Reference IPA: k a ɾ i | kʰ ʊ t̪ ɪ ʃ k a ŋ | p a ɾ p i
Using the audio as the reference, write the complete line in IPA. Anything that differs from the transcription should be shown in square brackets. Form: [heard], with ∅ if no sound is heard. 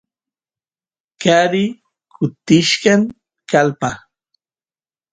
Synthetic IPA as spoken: k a ɾ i | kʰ ʊ t̪ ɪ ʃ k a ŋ | [k] a [l] p [a]